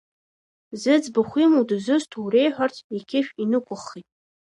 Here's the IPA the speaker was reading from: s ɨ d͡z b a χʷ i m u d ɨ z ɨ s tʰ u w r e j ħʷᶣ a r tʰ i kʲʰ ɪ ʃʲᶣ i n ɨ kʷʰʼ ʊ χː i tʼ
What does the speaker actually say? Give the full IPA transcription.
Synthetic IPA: z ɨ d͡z b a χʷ i m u d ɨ z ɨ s tʰ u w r e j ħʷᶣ a r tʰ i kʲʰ ɪ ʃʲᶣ i n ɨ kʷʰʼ ʊ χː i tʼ

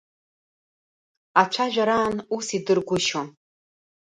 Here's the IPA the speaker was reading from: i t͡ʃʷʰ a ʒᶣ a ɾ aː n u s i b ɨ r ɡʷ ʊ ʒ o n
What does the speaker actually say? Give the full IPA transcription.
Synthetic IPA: a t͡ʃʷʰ a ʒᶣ a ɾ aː n u s i d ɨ r ɡʷ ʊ ʃ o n

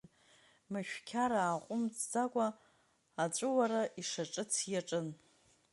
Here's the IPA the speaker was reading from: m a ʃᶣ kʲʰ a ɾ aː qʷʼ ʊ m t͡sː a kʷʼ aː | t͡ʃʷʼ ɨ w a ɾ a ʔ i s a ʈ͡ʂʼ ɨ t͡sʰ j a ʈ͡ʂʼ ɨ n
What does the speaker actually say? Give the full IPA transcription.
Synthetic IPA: m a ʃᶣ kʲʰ a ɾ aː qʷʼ ʊ m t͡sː a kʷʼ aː | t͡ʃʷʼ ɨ w a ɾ a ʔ i ʂ a ʈ͡ʂʼ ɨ t͡sʰ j a ʈ͡ʂʼ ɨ n

